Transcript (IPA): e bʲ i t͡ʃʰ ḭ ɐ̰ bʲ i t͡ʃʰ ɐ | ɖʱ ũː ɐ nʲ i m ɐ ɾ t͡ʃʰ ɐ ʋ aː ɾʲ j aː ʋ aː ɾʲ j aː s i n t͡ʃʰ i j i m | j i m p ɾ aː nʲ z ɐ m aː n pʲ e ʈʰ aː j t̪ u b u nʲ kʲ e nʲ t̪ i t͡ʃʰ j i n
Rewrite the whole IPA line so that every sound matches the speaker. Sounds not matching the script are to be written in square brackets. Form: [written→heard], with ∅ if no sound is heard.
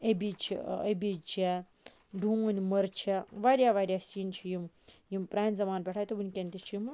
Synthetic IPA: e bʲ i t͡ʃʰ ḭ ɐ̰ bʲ i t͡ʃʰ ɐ | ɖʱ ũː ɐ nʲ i m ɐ ɾ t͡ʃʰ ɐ ʋ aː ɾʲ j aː ʋ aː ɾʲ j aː s i n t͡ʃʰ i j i m | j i m p ɾ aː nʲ z ɐ m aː n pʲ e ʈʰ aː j t̪ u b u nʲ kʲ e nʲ t̪ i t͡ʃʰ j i [n→m]

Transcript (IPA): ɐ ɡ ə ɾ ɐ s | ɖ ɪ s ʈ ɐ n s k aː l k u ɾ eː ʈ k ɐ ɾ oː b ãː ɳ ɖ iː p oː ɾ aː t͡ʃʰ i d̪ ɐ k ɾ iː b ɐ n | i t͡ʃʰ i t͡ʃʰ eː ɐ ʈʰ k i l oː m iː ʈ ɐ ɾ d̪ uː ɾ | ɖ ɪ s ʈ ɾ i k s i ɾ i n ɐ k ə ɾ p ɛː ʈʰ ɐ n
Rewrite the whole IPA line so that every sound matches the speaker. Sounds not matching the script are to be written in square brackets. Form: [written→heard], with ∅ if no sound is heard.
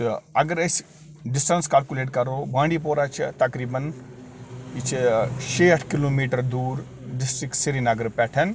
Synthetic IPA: ɐ ɡ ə ɾ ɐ s | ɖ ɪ s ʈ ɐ n s k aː l k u [ɾ→l] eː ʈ k ɐ ɾ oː b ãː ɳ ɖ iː p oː ɾ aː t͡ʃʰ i [d̪→t̪] ɐ k ɾ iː b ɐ n | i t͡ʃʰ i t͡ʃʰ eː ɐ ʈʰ k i l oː m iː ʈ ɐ ɾ d̪ uː ɾ | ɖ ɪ s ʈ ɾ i k s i ɾ i n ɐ [k→ɡ] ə ɾ p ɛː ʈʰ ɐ n

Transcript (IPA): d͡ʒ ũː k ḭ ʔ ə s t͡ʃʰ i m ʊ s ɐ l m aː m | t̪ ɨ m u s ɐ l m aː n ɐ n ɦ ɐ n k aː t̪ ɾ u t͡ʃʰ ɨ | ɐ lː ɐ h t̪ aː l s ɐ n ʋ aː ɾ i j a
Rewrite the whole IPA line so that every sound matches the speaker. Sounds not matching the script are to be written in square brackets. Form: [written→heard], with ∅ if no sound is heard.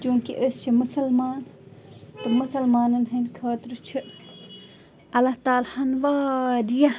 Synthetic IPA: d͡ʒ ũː k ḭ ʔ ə s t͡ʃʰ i m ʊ s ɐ l m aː [m→n] | t̪ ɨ m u s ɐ l m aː n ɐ n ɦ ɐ n [k→kʰ] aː t̪ ɾ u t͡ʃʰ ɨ | ɐ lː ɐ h t̪ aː l [s→h] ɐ n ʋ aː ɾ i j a

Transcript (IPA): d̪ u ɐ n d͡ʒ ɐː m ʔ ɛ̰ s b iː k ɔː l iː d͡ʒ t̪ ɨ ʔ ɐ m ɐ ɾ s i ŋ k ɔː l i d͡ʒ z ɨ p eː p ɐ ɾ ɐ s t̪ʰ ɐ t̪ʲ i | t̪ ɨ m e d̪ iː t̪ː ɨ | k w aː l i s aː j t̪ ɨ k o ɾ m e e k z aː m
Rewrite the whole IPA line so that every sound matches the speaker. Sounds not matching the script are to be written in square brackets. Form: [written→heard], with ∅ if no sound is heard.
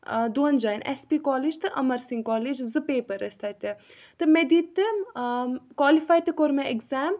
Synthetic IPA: d̪ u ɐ n d͡ʒ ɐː [m→n] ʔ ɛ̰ s [b→p] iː k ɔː l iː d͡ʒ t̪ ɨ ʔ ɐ m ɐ ɾ s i ŋ k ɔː l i d͡ʒ z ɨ p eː p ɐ ɾ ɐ s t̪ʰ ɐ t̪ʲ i | t̪ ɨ m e d̪ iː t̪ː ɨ | k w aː l i [s→f] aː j t̪ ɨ k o ɾ m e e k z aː m

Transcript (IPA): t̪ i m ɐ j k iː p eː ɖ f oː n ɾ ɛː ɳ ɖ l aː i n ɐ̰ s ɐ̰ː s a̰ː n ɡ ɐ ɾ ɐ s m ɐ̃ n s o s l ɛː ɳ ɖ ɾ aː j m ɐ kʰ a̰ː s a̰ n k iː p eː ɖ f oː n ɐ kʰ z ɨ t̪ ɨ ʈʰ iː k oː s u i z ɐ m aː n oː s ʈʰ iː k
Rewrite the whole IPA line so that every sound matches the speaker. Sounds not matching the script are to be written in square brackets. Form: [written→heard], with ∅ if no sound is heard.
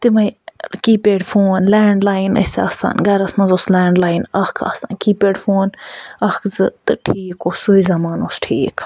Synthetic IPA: t̪ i m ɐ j k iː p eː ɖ f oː n [ɾ→l] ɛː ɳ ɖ l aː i n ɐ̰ s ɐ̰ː s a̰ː n ɡ ɐ ɾ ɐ s m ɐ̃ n [s→z] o s l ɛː ɳ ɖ [ɾ→l] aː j [m→n] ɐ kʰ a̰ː s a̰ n k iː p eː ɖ f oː n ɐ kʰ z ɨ t̪ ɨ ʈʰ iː k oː s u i z ɐ m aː n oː s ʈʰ iː k

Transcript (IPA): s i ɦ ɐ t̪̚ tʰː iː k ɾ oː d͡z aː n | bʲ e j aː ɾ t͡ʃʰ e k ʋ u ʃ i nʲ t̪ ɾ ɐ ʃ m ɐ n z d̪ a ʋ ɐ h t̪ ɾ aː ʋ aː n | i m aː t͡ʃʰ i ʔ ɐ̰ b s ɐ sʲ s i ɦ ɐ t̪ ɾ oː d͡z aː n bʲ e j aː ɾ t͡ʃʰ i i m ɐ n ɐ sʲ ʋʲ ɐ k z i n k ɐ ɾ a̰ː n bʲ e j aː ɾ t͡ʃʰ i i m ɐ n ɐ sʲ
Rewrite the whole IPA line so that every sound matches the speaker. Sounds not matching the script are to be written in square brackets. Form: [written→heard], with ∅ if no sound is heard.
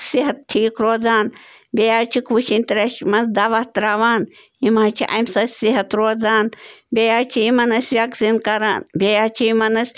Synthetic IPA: s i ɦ ɐ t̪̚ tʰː iː k ɾ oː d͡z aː n | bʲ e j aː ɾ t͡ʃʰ [e→i] k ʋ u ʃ i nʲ t̪ ɾ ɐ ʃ m ɐ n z d̪ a ʋ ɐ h t̪ ɾ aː ʋ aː n | i m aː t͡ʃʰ i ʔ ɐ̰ [b→m] s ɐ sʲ s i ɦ ɐ t̪ ɾ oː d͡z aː n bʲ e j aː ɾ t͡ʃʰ i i m ɐ n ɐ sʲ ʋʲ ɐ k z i n k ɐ ɾ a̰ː n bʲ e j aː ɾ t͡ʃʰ i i m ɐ n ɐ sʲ

